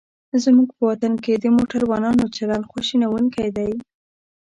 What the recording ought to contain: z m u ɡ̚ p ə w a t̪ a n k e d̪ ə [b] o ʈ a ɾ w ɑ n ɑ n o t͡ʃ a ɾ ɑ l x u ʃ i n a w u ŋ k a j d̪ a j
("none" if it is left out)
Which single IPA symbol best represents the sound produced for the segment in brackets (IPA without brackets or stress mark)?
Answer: m